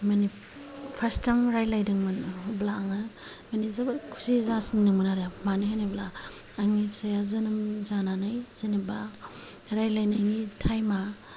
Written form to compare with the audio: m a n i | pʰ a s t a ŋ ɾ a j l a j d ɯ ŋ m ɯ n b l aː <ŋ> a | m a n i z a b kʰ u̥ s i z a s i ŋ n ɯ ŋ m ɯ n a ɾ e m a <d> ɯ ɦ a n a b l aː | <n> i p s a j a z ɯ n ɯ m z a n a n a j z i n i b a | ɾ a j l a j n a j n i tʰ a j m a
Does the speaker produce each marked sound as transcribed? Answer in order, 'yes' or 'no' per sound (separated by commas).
yes, no, no